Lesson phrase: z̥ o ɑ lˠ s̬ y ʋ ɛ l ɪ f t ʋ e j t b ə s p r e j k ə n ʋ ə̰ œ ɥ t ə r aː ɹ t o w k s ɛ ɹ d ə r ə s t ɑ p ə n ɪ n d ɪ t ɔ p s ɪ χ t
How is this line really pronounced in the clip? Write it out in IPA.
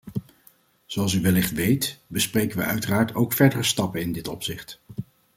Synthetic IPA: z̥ o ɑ lˠ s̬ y ʋ ɛ l ɪ χ t ʋ e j t b ə s p r e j k ə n ʋ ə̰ œ ɥ t ə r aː ɹ t o w k f ɛ ɹ d ə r ə s t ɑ p ə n ɪ n d ɪ t ɔ p s ɪ χ t